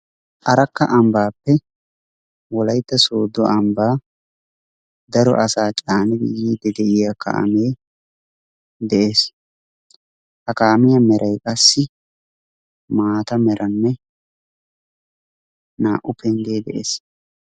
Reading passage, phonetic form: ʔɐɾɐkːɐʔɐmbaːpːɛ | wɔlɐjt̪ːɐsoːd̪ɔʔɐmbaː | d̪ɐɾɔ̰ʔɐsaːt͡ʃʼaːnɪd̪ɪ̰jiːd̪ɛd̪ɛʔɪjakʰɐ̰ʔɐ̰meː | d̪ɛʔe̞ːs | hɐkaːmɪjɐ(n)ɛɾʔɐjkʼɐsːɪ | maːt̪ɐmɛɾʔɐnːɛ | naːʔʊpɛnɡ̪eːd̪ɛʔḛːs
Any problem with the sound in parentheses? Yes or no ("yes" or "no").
yes